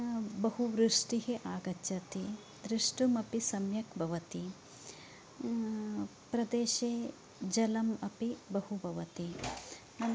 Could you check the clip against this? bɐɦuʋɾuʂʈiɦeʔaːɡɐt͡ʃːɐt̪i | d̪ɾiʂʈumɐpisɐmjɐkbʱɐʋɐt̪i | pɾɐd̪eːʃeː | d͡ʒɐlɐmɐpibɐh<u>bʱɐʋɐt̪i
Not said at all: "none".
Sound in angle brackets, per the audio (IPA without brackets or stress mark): u